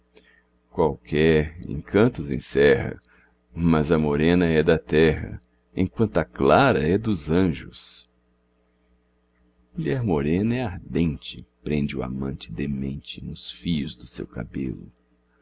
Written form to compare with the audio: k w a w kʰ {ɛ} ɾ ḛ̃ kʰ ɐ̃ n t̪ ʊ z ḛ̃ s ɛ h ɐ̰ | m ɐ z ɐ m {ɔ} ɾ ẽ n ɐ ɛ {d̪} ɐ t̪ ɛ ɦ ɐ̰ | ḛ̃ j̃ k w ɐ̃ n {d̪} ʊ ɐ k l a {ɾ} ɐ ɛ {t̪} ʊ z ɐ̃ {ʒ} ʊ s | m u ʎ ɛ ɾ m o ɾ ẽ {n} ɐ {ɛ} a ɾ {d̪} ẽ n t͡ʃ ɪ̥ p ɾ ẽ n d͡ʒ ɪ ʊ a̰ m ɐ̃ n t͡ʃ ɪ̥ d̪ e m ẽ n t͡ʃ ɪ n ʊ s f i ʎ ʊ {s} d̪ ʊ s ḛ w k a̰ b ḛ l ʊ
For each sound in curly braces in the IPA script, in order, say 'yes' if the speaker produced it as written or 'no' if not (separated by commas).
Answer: yes, no, yes, no, yes, no, yes, yes, yes, yes, no